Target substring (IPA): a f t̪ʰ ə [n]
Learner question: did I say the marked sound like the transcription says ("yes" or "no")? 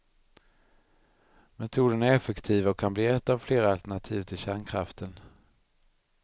yes